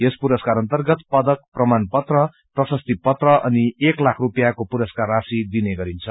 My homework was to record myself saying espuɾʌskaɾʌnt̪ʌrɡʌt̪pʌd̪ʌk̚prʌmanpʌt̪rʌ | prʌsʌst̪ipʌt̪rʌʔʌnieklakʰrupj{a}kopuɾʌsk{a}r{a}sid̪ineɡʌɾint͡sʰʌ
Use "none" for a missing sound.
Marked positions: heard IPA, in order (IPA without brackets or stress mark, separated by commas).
a, a, a